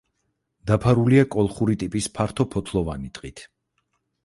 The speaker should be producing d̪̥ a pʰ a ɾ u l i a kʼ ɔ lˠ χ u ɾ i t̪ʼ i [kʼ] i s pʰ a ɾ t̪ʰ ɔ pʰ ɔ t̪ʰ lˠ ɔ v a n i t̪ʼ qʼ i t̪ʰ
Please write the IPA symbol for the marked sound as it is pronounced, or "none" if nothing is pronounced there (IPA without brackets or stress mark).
pʼ